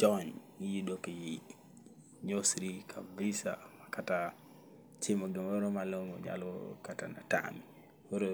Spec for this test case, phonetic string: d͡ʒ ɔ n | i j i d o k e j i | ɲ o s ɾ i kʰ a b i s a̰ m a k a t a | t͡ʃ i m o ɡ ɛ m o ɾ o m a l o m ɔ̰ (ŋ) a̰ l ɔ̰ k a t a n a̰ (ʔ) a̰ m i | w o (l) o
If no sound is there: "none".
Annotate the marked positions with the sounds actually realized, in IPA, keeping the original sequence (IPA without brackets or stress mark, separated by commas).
ɲ, t, ɾ